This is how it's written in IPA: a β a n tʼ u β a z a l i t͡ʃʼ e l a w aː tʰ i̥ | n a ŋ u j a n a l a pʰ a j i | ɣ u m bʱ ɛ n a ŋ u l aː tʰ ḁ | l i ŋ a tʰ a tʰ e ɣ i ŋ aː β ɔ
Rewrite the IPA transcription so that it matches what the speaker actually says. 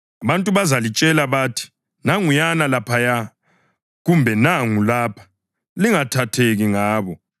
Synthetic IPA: a β a n tʼ u β a z a l i t͡ʃʼ ɛ l a β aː tʰ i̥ | n a ŋ u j a n a l a pʰ a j a | ɣ u m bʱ ɛ n a ŋ u l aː pʰ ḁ | l i ŋ a tʰ a tʰ e ɣ i ŋ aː β ɔ